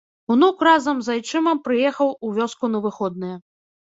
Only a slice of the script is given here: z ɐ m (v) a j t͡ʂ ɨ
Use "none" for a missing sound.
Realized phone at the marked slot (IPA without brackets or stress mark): z